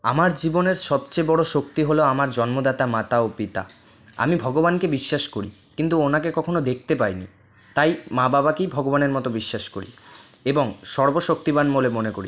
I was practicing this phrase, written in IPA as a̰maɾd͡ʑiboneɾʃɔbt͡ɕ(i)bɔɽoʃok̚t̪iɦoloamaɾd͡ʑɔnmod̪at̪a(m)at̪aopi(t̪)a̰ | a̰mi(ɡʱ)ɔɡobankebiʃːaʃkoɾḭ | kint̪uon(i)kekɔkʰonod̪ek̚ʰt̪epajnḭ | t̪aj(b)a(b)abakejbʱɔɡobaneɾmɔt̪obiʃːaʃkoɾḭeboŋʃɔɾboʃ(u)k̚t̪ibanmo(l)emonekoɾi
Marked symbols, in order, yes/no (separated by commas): no, yes, yes, no, no, no, yes, no, yes